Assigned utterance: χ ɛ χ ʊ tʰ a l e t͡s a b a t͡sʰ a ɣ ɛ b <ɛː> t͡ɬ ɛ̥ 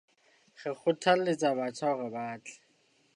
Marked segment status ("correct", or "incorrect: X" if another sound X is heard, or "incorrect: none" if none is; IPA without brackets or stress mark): incorrect: aː